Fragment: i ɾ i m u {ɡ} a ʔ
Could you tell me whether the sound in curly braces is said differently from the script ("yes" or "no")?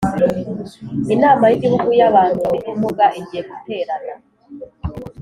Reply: no